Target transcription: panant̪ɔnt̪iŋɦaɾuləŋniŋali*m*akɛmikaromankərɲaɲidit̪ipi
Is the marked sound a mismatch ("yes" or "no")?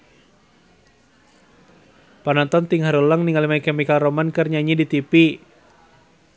no